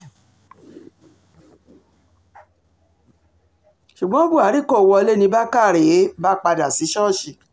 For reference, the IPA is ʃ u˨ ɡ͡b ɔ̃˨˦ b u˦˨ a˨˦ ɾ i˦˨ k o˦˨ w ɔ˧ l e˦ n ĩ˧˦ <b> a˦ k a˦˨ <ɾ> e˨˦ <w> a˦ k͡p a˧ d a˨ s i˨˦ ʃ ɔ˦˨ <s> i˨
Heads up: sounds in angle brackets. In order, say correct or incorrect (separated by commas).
correct, correct, incorrect, incorrect